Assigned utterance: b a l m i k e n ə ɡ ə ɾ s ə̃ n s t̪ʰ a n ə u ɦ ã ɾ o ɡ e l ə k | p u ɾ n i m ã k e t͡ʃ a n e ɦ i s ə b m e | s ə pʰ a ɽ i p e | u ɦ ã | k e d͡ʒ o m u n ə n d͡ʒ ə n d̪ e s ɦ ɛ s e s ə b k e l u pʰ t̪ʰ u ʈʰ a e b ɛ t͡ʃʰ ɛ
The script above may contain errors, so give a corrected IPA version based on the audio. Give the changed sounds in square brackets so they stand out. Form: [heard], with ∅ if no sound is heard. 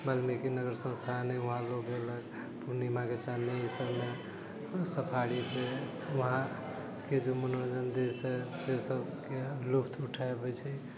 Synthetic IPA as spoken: b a l m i k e n ə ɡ ə ɾ s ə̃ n s t̪ʰ a n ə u ɦ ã [l] o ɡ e l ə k | p u ɾ n i m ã k e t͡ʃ a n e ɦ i s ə b m e | s ə pʰ a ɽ i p e | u ɦ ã | k e d͡ʒ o m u n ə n d͡ʒ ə n d̪ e s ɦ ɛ s e s ə b k e l u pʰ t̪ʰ u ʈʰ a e b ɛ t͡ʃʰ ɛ